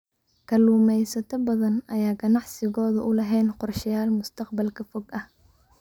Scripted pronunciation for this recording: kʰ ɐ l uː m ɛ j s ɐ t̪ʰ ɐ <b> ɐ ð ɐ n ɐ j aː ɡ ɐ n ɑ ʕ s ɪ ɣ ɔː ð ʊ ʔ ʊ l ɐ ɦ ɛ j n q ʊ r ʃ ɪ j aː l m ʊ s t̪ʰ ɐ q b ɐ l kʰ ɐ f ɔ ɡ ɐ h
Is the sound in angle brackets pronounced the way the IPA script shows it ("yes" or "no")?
yes